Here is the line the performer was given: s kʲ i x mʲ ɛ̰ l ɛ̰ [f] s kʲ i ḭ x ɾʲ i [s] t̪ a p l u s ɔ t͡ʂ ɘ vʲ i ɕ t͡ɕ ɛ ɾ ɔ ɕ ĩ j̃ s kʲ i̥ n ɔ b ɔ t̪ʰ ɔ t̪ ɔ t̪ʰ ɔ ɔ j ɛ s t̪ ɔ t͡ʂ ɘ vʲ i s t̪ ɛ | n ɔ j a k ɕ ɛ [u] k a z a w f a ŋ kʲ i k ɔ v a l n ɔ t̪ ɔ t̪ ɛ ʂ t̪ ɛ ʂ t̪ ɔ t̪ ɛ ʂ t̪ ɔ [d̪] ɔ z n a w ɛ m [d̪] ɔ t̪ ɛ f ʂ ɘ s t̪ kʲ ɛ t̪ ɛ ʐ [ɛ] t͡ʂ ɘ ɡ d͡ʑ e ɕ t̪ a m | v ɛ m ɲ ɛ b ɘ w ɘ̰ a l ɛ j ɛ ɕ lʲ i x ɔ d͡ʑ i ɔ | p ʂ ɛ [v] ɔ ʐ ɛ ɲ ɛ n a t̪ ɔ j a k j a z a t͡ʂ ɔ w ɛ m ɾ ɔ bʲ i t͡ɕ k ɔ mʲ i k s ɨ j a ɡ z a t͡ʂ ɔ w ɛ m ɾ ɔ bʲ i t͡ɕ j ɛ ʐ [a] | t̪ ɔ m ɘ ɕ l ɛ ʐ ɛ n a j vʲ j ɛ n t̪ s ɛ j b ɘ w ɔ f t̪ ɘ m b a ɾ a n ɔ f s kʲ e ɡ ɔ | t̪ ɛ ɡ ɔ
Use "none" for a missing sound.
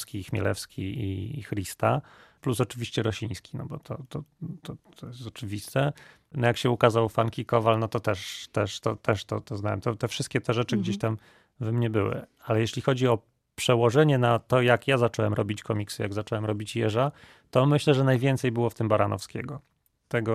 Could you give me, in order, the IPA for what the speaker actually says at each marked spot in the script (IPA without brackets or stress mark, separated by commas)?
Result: f, s, u, t̪, t̪, ɛ, w, a